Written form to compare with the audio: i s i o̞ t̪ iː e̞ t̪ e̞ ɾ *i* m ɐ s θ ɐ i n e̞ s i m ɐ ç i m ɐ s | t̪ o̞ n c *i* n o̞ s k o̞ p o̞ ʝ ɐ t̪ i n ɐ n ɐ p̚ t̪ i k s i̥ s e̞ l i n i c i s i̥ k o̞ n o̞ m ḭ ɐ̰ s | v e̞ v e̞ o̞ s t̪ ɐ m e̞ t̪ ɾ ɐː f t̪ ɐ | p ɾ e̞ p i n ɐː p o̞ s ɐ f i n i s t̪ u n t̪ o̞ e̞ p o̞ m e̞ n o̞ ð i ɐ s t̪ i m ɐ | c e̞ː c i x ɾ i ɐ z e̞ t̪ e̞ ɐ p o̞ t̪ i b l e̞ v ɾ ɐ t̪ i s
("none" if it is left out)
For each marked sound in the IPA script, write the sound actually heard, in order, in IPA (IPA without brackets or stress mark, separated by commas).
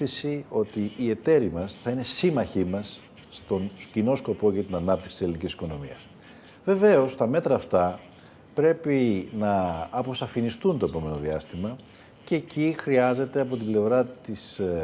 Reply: i, i